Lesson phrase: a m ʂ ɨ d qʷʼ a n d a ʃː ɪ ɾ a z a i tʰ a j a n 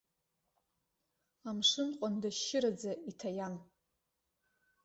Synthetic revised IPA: a m ʂ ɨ n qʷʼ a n d a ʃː ɪ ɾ a d͡z a i tʰ a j a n